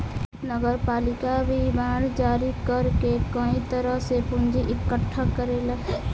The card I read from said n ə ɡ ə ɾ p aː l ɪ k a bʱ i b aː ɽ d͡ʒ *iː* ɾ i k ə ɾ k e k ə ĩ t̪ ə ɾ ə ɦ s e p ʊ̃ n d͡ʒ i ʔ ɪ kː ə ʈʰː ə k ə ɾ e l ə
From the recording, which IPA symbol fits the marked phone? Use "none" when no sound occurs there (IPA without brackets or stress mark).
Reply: aː